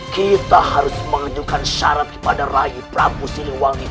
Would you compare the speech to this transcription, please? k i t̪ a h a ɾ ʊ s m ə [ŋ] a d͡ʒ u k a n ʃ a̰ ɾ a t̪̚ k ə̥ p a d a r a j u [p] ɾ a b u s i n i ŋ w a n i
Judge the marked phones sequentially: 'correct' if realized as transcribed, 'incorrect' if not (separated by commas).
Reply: correct, correct